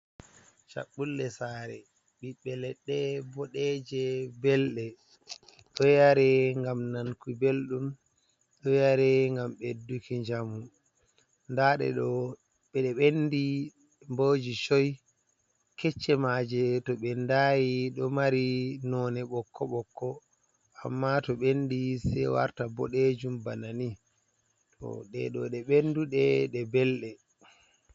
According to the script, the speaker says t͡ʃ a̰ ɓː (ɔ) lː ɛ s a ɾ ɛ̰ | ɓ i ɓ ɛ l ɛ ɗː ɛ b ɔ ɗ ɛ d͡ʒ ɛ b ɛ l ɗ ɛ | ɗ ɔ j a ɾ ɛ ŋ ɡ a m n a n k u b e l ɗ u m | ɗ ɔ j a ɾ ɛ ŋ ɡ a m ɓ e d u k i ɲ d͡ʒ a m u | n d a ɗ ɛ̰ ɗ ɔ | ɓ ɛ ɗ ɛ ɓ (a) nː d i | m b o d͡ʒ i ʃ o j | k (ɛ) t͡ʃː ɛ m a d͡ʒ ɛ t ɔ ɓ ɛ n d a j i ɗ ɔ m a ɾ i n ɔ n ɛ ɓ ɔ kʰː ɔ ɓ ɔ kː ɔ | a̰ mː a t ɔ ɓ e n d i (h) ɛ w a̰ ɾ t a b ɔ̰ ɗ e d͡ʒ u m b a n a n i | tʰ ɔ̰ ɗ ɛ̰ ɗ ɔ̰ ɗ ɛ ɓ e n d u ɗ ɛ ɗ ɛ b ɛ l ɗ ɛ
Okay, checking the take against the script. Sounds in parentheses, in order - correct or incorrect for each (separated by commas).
incorrect, incorrect, correct, incorrect